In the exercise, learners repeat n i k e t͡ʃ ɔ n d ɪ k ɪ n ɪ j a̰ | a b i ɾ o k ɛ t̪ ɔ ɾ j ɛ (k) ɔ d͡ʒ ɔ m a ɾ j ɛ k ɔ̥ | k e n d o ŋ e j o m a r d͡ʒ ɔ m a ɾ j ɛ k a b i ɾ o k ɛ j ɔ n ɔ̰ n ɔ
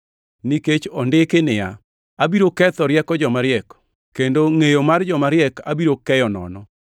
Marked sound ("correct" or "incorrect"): correct